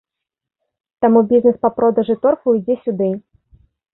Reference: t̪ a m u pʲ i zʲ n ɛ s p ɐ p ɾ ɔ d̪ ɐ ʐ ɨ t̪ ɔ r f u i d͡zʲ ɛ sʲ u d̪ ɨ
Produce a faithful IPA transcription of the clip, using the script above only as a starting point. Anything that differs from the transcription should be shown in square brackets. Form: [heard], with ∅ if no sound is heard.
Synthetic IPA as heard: t̪ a m u [bʲ] i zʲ n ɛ s p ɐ p ɾ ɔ d̪ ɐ ʐ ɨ t̪ ɔ r f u [j] d͡zʲ ɛ sʲ u d̪ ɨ